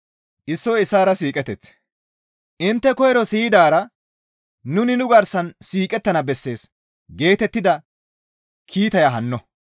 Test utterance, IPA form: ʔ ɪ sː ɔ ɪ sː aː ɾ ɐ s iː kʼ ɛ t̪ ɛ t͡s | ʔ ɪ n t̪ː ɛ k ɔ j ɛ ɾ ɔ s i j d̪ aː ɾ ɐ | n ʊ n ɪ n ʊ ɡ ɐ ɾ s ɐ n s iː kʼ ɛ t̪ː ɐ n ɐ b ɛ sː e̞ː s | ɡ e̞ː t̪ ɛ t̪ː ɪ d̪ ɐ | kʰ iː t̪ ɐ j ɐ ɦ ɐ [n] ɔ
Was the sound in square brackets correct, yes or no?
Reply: no